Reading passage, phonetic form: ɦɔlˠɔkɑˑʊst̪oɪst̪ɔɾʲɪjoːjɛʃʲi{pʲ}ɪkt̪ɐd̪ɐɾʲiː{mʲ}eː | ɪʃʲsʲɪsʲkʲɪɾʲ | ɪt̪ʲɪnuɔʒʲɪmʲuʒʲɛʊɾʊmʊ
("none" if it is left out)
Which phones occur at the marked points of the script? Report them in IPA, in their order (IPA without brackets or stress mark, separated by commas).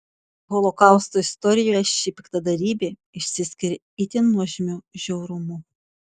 pʲ, bʲ